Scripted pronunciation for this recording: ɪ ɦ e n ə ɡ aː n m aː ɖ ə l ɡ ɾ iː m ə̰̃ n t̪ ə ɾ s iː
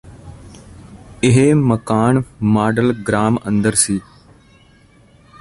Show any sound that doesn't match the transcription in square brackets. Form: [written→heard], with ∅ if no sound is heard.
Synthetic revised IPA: ɪ ɦ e [n→m] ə [ɡ→k] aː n m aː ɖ ə l ɡ ɾ [iː→aː] m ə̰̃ n [t̪→d̪] ə ɾ s iː